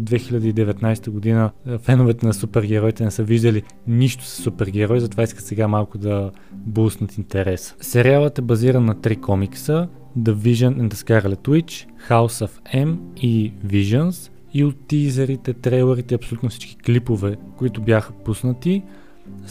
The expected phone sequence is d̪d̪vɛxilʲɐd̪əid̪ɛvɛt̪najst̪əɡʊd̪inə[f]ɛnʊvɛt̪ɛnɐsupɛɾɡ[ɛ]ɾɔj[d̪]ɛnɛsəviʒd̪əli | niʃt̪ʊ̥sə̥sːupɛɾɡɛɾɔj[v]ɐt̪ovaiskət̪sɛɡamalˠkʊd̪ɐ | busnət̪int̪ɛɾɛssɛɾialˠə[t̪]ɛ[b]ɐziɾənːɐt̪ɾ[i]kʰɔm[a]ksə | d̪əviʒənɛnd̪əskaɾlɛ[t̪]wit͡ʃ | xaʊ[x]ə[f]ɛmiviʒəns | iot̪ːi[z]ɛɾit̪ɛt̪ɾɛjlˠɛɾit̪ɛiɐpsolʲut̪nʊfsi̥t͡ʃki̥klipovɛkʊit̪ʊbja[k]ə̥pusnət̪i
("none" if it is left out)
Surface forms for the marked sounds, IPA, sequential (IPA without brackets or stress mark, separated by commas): f, ɛ, t̪, z, t̪, b, i, i, t̪, s, f, z, x